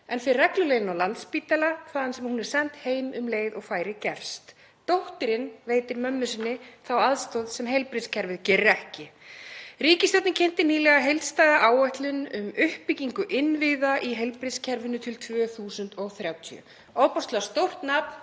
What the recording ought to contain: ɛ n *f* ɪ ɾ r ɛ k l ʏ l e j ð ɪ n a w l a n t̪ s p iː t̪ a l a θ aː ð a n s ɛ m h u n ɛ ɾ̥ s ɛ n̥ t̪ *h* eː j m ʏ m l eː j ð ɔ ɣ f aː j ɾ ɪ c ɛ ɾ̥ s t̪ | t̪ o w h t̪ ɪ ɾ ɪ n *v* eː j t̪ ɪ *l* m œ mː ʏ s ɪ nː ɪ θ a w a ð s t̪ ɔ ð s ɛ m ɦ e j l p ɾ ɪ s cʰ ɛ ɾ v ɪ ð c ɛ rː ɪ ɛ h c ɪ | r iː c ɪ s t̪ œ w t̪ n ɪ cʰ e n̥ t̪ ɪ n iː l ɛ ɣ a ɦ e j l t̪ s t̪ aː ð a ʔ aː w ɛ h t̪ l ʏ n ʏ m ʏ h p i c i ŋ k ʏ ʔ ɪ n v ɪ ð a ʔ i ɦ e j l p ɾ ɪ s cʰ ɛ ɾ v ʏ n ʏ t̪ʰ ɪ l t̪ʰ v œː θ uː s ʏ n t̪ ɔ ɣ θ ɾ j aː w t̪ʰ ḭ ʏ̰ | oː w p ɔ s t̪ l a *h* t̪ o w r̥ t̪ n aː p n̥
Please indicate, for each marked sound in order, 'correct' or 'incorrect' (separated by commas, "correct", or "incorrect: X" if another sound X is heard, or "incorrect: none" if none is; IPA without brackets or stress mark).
correct, correct, correct, incorrect: ɾ, incorrect: s